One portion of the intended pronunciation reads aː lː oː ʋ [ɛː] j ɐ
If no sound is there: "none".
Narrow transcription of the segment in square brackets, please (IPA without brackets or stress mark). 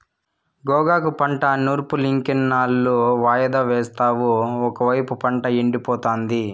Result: aː